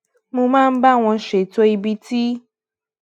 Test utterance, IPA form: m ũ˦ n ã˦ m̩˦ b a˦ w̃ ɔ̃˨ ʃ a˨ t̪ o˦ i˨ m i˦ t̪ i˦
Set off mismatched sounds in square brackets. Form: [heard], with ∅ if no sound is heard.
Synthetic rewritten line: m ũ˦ [m] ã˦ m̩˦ b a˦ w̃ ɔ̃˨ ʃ [e˨] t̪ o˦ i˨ [b] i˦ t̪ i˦